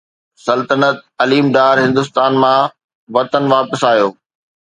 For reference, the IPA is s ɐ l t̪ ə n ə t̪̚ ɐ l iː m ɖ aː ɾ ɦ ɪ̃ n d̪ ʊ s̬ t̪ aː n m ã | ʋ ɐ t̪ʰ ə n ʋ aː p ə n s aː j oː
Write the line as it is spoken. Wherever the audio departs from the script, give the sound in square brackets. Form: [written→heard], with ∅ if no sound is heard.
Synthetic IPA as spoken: s ɐ l t̪ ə n ə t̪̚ ɐ l iː m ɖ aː ɾ ɦ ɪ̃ n d̪ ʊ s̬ t̪ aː n m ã | ʋ ɐ [t̪ʰ→t̪] ə n ʋ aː p ə [n→∅] s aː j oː